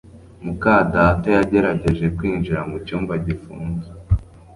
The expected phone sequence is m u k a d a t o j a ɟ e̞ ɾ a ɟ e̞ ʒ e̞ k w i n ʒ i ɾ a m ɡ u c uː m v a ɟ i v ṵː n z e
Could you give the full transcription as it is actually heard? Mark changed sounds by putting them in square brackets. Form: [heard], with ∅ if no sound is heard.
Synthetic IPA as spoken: m u k a d a t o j a ɟ e̞ ɾ a ɟ e̞ ʒ e̞ k w [iː] n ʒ i ɾ a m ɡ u c uː m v a ɟ i [f] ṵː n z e